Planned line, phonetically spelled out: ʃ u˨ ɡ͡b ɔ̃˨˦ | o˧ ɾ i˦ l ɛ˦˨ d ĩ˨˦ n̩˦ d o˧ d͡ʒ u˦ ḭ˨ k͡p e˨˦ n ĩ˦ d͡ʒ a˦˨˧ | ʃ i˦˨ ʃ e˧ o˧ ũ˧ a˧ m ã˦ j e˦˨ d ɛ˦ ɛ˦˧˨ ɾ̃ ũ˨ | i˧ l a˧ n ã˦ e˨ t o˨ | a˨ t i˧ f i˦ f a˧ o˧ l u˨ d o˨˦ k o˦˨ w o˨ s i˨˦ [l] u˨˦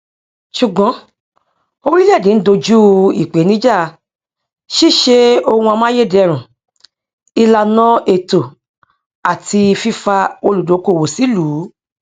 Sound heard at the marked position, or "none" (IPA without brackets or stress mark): l